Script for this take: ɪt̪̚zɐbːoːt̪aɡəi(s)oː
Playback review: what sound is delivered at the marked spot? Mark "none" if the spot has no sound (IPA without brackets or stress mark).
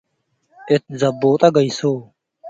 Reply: s